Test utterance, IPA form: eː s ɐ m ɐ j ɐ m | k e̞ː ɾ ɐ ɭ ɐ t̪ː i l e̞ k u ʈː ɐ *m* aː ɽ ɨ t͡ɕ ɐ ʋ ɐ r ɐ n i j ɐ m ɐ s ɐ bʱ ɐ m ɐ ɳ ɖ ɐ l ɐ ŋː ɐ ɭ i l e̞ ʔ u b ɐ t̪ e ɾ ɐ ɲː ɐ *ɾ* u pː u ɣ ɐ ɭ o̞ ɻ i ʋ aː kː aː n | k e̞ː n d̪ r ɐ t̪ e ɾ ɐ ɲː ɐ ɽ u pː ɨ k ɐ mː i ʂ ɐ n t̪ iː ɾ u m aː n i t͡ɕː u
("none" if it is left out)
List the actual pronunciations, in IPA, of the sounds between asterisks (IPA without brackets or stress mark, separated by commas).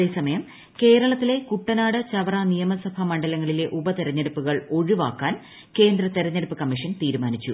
n, ɽ